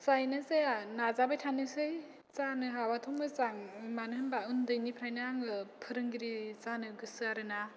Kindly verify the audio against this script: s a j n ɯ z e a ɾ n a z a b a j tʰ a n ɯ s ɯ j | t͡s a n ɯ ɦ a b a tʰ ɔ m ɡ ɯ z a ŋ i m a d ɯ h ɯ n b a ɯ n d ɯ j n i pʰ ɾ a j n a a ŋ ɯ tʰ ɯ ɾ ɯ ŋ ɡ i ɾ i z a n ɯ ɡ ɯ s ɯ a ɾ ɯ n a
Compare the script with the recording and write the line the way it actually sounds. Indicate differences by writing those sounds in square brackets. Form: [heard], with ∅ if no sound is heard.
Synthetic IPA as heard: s a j n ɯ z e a [∅] n a z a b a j tʰ a n ɯ s ɯ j | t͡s a n ɯ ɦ a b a tʰ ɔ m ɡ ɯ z a ŋ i m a [n] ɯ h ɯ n b a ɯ n d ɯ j n i pʰ ɾ a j n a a ŋ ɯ [pʰ] ɯ ɾ ɯ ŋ ɡ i ɾ i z a n ɯ ɡ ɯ s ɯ a ɾ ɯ n a